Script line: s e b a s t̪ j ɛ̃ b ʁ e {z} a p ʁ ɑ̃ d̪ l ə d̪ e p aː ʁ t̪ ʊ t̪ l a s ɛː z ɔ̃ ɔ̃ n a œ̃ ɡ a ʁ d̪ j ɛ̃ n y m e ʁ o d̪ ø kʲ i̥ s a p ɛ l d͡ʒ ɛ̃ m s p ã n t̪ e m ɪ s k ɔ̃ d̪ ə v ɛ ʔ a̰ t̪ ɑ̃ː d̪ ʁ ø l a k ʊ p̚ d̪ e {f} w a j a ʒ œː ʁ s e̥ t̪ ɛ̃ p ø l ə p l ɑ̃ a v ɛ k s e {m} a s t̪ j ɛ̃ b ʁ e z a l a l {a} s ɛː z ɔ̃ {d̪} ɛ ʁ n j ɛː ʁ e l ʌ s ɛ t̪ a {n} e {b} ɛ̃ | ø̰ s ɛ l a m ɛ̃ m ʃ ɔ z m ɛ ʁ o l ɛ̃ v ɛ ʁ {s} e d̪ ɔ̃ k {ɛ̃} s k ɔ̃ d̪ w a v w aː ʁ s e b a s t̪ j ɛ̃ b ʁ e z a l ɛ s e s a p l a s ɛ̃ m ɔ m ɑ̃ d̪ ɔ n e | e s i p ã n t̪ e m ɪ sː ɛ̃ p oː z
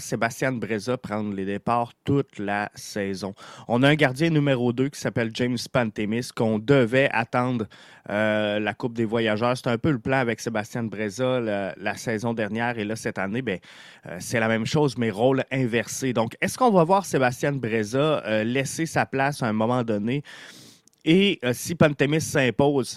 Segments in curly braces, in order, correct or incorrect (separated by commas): correct, incorrect, incorrect, correct, correct, correct, correct, correct, incorrect